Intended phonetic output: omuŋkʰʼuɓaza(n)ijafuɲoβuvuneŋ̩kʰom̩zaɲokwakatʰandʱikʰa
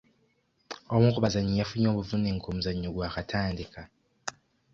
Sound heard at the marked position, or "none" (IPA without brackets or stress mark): ɲ